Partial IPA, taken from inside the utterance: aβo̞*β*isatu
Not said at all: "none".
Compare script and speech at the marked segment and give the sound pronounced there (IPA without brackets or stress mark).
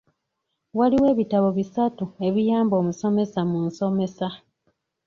β